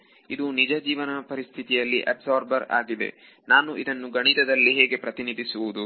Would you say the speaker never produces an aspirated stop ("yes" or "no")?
no